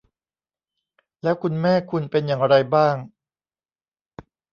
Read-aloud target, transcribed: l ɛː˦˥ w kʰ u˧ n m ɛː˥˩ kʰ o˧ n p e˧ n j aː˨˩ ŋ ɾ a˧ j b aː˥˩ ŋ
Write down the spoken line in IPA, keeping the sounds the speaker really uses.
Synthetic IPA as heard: l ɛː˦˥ w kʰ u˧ n m ɛː˥˩ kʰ u˧ n p e˧ n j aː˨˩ ŋ ɾ a˧ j b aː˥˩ ŋ

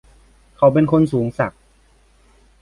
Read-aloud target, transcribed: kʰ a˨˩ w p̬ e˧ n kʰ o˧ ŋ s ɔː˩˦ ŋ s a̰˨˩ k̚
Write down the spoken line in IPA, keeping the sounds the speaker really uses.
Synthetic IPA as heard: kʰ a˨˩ w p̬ e˧ n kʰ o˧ n s uː˩˦ ŋ s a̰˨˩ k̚

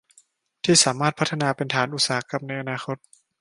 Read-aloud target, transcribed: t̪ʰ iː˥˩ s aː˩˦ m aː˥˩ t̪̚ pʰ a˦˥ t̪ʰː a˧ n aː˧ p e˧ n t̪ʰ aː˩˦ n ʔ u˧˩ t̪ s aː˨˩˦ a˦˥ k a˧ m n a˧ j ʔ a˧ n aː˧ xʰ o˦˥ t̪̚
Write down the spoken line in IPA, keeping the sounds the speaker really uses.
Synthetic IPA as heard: t̪ʰ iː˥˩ s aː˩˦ m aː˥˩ t̪̚ pʰ a˦˥ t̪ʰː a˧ n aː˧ p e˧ n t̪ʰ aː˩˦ n ʔ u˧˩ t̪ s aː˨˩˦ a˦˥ k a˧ m n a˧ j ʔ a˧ n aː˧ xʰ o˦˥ t̪̚

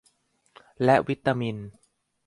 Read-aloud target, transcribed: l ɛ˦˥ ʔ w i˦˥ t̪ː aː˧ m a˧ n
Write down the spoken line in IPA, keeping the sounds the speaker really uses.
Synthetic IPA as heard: l ɛ˦˥ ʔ w i˦˥ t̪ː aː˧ m i˧ n

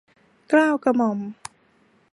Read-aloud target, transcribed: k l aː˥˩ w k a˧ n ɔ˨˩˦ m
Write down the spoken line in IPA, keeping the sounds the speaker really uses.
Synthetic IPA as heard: k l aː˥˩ w k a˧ m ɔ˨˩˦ m

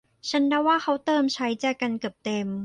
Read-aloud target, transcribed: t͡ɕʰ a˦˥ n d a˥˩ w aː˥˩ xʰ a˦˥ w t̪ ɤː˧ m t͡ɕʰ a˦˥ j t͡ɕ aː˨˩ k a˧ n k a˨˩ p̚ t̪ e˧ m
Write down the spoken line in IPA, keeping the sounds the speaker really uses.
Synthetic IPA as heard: t͡ɕʰ a˦˥ n d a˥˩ w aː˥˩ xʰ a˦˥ w t̪ ɤː˧ m t͡ɕʰ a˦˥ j t͡ɕ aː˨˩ k a˧ n k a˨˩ p̚ t̪ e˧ m

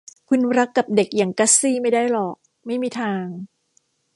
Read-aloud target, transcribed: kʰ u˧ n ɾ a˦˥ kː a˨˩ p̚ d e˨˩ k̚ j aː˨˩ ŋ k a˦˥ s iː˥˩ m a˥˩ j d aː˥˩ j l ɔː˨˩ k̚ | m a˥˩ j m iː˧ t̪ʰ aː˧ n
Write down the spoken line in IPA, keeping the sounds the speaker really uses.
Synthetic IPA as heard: kʰ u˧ n ɾ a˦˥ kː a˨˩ p̚ d e˨˩ k̚ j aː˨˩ ŋ k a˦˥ s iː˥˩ m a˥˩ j d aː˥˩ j l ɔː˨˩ k̚ | m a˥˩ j m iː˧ t̪ʰ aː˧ ŋ

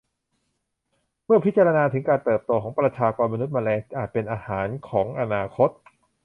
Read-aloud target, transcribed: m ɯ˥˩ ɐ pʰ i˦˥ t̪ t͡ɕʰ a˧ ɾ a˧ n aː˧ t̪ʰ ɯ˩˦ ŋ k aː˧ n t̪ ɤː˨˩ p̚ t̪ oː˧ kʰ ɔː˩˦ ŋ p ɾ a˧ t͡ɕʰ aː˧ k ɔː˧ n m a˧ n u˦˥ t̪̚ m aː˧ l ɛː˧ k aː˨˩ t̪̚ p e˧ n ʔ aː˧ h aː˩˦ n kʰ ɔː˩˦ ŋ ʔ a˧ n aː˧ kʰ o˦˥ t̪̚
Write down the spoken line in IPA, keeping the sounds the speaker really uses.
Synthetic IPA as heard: m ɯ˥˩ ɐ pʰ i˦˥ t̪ t͡ɕ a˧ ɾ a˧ n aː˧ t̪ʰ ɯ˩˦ ŋ k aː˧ n t̪ ɤː˨˩ p̚ t̪ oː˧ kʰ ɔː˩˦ ŋ p ɾ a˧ t͡ɕʰ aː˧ k ɔː˧ n m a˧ n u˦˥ t̪̚ m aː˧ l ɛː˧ ʔ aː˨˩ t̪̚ p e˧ n ʔ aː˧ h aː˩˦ n kʰ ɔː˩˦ ŋ ʔ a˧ n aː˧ kʰ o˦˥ t̪̚

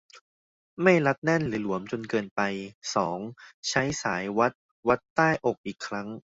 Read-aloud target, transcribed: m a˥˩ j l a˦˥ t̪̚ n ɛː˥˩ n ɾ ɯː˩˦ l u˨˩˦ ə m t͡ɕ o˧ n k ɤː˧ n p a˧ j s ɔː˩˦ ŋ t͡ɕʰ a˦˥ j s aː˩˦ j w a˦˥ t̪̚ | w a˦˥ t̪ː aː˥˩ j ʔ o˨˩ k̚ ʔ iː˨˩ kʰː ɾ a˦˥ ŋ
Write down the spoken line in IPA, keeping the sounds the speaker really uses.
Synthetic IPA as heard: m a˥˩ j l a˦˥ t̪̚ n ɛ˥˩ n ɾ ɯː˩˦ l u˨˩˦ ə m t͡ɕ o˧ n k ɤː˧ n p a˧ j s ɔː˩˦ ŋ t͡ɕʰ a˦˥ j s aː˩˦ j w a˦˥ t̪̚ | w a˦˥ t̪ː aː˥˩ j ʔ o˨˩ k̚ ʔ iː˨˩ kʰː ɾ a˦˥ ŋ

